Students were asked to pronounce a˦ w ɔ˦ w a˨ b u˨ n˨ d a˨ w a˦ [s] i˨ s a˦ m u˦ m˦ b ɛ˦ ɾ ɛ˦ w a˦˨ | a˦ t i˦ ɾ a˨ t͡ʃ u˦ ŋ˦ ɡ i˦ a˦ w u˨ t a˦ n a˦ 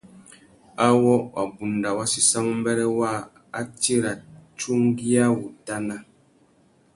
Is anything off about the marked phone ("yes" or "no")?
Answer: no